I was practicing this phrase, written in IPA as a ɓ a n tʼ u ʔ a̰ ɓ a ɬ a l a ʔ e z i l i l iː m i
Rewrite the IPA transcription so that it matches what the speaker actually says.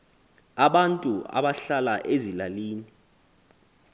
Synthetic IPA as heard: a ɓ a n tʼ u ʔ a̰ ɓ a ɬ a l a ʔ e z i l a l iː n i